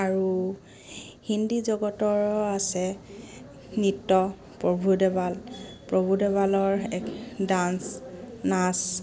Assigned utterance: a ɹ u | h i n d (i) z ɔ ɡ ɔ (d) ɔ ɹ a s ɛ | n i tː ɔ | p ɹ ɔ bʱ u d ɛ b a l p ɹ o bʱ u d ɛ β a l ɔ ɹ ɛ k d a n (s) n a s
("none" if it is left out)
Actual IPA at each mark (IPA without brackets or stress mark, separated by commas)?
i, t, s